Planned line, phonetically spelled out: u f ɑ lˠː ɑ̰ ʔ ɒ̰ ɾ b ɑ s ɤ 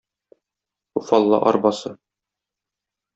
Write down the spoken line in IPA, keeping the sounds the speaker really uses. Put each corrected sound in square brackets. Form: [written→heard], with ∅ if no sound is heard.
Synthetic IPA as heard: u f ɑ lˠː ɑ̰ ʔ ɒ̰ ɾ b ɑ s ɤ